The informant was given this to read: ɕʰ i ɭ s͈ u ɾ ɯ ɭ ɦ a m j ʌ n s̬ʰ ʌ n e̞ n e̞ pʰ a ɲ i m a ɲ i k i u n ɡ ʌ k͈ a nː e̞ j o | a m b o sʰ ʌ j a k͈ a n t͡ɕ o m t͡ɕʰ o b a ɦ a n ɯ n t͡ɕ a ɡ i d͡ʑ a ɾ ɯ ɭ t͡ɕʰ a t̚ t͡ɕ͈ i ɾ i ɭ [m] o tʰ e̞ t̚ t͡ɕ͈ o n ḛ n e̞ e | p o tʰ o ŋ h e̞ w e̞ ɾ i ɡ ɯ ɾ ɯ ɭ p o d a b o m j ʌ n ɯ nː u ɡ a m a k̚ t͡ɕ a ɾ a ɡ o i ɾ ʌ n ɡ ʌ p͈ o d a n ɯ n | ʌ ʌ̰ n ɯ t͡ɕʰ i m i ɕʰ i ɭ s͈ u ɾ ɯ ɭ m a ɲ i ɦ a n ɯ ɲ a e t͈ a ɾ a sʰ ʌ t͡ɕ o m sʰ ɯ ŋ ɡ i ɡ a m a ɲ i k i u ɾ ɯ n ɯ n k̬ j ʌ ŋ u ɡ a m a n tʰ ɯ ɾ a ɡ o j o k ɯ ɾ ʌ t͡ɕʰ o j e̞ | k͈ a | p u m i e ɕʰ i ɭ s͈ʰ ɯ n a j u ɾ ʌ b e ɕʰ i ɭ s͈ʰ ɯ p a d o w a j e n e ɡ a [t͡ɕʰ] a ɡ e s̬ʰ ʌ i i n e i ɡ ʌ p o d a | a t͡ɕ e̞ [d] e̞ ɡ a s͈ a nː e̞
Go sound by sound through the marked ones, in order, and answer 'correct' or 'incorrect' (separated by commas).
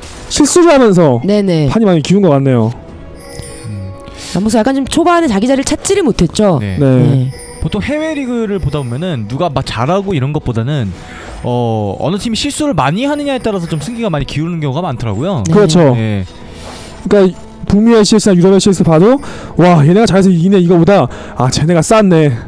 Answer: correct, incorrect, incorrect